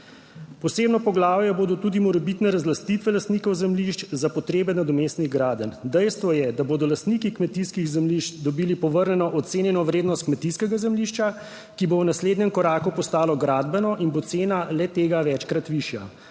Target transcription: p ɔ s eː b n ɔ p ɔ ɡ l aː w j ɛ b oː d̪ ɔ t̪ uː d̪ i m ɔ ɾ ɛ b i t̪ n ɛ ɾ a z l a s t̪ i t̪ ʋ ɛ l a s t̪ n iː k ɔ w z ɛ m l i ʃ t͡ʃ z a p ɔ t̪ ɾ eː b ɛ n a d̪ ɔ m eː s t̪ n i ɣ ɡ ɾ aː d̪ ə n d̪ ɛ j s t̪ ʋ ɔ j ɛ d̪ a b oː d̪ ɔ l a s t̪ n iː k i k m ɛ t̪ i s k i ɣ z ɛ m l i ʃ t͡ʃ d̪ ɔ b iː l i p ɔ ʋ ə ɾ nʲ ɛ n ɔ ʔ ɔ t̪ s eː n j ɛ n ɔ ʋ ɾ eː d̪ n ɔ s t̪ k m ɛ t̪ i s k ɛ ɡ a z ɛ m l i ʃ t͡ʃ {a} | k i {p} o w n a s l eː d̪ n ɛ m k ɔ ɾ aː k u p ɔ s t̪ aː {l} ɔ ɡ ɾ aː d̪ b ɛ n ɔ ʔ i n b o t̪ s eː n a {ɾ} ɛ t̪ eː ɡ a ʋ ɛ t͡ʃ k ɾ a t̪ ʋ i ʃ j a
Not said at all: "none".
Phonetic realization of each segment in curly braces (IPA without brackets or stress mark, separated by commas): a, b, l, l